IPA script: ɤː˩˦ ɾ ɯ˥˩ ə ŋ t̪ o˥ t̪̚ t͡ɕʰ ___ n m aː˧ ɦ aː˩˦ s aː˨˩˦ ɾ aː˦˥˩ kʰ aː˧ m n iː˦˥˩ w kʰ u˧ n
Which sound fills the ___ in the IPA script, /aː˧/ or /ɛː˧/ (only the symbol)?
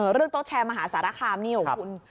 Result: ɛː˧